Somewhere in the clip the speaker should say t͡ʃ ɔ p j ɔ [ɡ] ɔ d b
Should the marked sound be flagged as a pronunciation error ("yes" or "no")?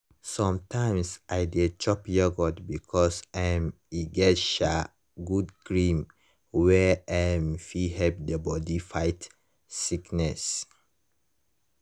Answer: no